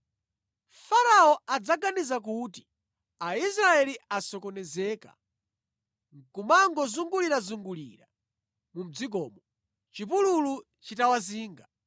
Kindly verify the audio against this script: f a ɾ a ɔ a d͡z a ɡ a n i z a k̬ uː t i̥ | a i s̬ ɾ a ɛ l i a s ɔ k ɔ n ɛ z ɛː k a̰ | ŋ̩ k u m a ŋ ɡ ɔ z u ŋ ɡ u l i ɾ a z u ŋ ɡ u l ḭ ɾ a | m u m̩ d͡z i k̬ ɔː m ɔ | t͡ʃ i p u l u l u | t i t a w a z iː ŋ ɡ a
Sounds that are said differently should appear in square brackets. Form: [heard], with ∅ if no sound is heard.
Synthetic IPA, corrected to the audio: f a ɾ a ɔ a d͡z a ɡ a n i z a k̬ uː t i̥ | a i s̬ ɾ a ɛ l i a s ɔ k ɔ n ɛ z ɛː k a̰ | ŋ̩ k u m a ŋ ɡ ɔ z u ŋ ɡ u l i ɾ a z u ŋ ɡ u l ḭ ɾ a | m u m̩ d͡z i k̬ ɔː m ɔ | t͡ʃ i p u l u l u | [t͡ʃ] i t a w a z iː ŋ ɡ a